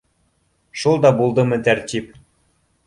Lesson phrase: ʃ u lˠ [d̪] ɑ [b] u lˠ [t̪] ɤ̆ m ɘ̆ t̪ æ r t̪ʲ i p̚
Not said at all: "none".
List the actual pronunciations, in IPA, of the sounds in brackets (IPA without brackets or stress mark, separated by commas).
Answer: d̪, b, d̪